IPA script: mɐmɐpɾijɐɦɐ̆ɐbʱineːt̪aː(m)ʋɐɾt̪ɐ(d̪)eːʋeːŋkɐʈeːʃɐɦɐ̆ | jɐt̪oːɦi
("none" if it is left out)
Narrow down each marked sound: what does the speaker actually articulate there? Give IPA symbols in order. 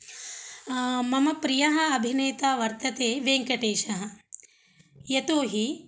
none, t̪

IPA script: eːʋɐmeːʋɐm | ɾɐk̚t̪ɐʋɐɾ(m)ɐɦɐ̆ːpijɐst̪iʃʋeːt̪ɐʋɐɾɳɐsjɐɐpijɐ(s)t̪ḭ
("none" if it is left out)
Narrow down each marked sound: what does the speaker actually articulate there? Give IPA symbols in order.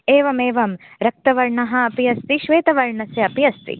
ɳ, s

